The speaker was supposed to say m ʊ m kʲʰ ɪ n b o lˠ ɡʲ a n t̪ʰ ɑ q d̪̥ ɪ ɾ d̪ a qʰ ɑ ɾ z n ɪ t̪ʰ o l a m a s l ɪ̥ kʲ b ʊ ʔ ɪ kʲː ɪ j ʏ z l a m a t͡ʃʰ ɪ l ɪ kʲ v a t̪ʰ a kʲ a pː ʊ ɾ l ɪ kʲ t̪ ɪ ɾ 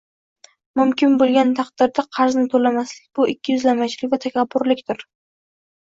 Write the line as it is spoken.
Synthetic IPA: m ʊ m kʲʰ ɪ n b o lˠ ɡʲ a n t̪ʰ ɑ q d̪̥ ɪ ɾ d̪ a qʰ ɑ ɾ z n ɪ t̪ʰ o l a m a s l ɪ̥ kʲ b ʊ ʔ ɪ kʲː ɪ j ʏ z l a m a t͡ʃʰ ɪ l ɪ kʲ v a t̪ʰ a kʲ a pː ʊ ɾ l ɪ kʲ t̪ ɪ ɾ